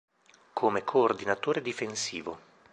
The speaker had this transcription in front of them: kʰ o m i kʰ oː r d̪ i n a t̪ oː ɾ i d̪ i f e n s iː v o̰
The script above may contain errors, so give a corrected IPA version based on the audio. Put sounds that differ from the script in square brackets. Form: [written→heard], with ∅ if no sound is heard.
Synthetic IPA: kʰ o m [i→e] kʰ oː r d̪ i n a t̪ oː ɾ [i→e] d̪ i f e n s iː v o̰